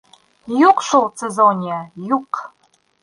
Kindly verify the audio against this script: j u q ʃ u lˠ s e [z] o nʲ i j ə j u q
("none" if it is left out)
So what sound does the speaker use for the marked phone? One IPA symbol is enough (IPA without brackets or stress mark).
z